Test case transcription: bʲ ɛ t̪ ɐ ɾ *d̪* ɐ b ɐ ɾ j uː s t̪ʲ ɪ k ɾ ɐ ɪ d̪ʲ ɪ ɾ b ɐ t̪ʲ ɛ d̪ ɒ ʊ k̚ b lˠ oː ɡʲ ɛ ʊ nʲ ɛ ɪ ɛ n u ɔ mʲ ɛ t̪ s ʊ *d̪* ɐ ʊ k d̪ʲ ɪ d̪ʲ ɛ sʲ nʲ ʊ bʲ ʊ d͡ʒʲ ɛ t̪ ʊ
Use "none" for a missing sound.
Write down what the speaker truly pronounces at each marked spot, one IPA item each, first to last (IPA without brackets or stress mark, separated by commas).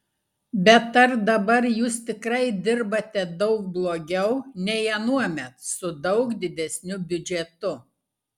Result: d̪, d̪